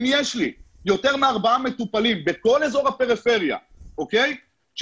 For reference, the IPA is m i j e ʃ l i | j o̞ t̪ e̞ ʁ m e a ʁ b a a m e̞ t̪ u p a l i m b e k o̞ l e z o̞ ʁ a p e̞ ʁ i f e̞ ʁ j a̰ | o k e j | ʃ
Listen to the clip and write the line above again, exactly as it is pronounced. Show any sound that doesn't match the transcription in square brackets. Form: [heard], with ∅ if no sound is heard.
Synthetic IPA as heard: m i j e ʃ l i | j o̞ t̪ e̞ ʁ m e a ʁ b a a m e̞ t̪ u p a l i m b e k o̞ l e z o̞ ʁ a p e̞ ʁ i f e̞ ʁ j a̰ | o k e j | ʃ